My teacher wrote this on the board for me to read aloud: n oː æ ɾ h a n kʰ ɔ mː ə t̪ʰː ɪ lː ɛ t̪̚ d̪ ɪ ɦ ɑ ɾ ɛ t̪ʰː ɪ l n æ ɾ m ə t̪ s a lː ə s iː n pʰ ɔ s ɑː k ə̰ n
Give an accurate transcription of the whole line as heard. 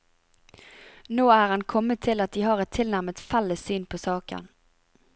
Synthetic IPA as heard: n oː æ ɾ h a n kʰ ɔ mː ə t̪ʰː ɪ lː a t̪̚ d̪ ɪ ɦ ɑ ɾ ɛ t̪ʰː ɪ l n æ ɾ m ə t̪ f a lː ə s yː n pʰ ɔ s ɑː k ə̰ n